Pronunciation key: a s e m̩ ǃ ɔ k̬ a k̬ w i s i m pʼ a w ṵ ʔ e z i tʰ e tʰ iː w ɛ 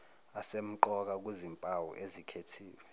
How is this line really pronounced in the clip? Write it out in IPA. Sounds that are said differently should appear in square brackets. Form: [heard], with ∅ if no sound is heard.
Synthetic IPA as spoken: a s e m̩ ǃ ɔ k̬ a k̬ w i [z] i m pʼ a w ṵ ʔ e z i [kʰ] e tʰ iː w ɛ